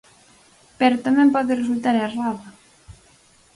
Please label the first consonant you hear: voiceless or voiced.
voiceless